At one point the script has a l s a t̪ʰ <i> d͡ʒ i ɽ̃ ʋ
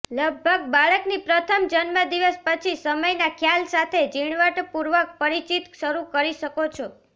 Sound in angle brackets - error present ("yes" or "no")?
yes